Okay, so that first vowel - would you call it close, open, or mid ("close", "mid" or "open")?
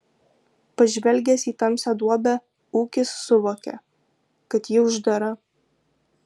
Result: open